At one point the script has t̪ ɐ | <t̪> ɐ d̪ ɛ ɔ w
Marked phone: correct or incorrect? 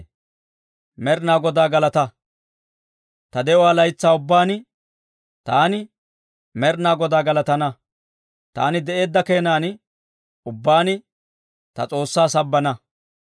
correct